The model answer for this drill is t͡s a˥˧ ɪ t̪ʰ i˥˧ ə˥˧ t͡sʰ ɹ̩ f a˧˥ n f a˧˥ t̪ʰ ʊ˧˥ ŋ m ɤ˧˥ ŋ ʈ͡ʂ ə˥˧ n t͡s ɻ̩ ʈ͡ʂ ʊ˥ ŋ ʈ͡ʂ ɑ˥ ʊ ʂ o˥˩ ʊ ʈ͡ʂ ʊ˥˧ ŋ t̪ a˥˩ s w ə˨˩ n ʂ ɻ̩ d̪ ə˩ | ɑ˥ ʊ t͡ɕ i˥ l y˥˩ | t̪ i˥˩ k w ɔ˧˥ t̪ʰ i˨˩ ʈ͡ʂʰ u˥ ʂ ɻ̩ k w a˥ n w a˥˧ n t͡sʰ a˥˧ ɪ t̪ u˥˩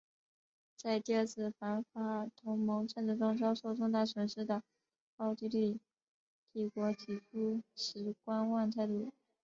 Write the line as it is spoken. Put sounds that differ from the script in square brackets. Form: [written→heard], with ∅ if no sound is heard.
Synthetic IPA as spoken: t͡s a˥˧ ɪ [t̪ʰ→t̪] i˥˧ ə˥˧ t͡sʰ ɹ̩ f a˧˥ n f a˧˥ t̪ʰ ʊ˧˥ ŋ m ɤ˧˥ ŋ ʈ͡ʂ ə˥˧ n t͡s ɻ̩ ʈ͡ʂ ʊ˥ ŋ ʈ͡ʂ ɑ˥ ʊ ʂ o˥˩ ʊ ʈ͡ʂ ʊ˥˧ ŋ t̪ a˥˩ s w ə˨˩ n ʂ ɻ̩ d̪ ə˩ | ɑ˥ ʊ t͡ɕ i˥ l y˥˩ | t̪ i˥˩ k w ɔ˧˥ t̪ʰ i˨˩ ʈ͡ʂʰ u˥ ʂ ɻ̩ k w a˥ n w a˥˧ n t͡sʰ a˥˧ ɪ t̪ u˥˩